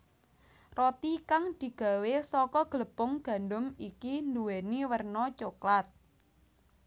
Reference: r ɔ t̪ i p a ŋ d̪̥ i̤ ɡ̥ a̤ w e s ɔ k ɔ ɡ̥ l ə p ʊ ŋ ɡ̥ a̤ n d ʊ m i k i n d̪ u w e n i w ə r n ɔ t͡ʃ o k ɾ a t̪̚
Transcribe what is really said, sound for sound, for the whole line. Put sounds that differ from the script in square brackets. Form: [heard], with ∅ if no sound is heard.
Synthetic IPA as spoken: r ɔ t̪ i [k] a ŋ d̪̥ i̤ ɡ̥ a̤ w e s ɔ k ɔ ɡ̥ l ə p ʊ ŋ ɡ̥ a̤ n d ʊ m i k i n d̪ u w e n i w ə r n ɔ t͡ʃ o k [l] a t̪̚